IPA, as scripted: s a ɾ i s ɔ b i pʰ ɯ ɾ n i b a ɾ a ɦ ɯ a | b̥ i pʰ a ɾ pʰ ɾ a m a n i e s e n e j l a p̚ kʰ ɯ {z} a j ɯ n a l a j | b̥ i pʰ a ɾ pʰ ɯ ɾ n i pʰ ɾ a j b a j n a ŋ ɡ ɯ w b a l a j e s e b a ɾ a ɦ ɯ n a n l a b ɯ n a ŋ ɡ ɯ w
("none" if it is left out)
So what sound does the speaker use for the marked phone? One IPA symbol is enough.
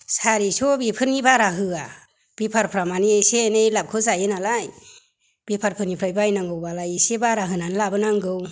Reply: z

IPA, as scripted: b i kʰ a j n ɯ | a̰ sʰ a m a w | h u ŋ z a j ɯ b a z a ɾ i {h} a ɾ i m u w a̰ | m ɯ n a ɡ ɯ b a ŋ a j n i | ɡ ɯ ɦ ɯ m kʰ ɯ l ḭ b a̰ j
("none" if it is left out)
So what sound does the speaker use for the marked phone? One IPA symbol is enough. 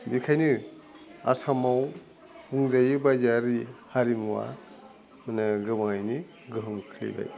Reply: h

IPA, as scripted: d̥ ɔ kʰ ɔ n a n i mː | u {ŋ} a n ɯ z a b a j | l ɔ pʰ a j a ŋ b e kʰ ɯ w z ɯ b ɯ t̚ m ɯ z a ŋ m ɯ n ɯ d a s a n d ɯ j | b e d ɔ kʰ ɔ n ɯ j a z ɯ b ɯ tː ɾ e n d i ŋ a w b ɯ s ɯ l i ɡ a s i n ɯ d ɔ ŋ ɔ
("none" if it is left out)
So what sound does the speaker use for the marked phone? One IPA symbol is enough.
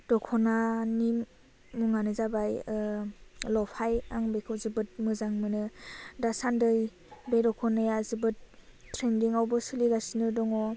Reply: ŋ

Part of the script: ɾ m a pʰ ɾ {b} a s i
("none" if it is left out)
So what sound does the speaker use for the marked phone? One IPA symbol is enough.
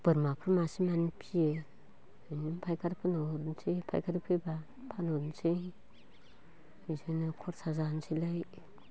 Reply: m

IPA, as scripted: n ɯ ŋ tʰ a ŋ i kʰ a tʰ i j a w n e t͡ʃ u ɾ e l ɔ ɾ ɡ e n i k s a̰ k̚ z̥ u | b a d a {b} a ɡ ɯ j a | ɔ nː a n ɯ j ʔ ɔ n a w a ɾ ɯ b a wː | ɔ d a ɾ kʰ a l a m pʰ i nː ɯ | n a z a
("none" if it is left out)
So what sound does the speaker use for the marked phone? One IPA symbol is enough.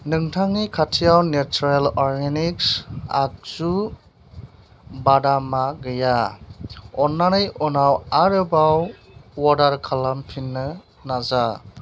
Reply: m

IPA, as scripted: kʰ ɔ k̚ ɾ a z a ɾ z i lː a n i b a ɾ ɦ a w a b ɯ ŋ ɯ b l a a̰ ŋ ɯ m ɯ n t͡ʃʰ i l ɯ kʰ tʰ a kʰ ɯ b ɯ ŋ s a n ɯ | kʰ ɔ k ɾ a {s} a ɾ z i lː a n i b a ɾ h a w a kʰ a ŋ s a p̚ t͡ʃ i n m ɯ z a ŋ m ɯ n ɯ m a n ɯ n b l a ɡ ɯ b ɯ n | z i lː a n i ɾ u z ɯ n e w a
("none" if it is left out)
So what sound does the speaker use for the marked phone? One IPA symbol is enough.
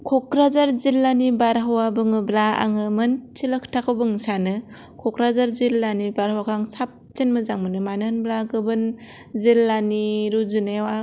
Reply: z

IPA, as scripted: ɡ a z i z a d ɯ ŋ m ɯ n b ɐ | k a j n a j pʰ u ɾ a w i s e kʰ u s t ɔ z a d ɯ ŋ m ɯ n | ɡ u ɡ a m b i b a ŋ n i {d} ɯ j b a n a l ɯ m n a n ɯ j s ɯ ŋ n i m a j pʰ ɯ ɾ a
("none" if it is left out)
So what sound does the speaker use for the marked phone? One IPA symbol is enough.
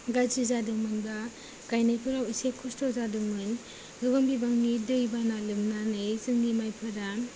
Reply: d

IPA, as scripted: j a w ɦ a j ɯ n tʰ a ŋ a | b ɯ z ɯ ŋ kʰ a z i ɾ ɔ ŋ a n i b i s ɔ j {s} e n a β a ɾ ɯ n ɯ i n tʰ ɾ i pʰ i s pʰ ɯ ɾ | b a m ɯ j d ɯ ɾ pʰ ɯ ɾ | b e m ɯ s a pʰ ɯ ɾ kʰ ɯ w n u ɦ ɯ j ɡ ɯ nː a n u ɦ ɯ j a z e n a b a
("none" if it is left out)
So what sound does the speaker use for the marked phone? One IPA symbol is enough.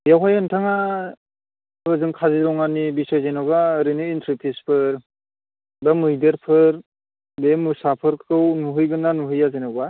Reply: z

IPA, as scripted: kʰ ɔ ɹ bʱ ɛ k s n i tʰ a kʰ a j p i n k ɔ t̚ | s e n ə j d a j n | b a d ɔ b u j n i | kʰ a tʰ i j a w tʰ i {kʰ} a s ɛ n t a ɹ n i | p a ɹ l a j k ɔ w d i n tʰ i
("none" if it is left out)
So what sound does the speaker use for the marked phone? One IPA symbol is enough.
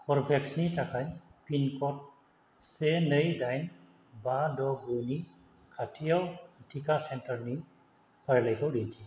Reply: k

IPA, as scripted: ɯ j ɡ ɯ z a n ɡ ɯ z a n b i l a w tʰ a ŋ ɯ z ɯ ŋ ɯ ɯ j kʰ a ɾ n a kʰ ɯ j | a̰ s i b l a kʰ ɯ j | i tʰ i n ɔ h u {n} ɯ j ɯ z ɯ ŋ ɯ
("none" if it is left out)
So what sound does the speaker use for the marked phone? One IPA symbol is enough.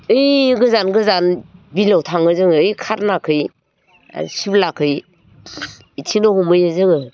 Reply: m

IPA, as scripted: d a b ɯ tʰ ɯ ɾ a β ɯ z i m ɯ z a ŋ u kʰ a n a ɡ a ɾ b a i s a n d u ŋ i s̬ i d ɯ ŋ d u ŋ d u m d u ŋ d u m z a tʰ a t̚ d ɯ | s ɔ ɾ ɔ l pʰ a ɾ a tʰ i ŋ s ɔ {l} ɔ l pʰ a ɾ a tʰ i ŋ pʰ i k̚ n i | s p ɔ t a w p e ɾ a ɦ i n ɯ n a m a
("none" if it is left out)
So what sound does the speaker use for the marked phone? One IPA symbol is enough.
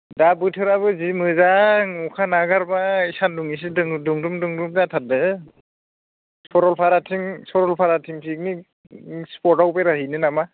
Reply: ɾ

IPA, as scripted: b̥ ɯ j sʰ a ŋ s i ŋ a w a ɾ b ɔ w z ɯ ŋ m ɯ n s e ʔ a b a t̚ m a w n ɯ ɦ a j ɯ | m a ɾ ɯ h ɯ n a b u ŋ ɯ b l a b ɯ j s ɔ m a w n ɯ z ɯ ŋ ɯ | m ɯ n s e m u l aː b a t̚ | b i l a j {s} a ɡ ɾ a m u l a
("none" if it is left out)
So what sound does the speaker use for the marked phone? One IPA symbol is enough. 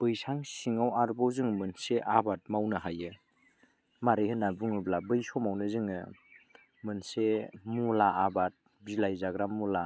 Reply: z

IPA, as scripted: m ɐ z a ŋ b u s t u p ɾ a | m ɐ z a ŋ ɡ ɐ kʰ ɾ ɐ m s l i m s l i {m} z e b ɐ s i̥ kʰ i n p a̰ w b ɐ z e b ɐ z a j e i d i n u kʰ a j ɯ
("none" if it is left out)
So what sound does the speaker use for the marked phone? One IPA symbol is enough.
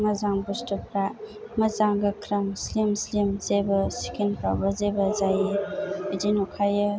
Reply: m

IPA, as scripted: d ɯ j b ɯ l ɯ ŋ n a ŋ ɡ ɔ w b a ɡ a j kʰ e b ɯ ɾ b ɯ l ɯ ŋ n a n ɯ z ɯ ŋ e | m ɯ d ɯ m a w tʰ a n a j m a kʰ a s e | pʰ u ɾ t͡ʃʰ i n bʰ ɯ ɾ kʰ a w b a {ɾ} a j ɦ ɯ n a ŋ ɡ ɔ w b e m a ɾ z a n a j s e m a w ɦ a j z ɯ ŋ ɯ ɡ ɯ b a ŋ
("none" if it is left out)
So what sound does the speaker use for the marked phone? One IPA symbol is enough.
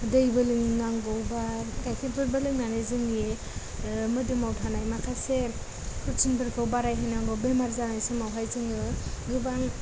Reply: ɾ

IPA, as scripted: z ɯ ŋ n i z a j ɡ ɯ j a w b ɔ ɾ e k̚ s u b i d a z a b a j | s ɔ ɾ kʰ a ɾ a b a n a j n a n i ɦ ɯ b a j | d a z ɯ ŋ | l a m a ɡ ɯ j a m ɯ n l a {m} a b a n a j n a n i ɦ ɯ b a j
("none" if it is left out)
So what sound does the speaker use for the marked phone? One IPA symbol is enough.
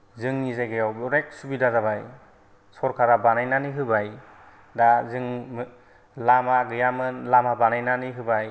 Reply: m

